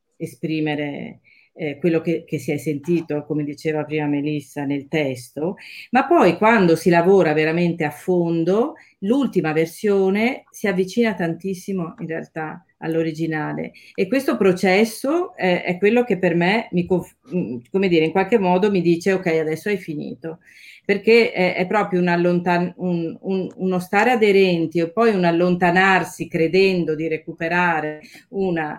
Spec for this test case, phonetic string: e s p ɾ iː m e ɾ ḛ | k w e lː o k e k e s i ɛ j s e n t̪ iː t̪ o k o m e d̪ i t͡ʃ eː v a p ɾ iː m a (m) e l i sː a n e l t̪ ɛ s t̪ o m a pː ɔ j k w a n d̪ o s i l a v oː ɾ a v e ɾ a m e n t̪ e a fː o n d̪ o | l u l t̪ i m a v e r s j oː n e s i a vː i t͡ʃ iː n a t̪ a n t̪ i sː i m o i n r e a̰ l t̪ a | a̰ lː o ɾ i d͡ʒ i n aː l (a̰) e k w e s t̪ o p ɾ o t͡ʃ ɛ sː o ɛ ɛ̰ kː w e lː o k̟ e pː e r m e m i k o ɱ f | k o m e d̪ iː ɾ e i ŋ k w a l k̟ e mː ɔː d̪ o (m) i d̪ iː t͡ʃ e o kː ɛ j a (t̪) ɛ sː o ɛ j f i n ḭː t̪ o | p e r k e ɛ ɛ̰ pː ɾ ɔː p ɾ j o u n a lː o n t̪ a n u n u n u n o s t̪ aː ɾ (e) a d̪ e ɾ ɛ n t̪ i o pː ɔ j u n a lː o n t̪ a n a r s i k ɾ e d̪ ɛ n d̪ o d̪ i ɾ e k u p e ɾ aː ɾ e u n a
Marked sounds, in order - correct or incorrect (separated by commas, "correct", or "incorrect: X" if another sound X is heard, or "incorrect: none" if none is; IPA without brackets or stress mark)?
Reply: correct, incorrect: ḛ, correct, incorrect: d̪, correct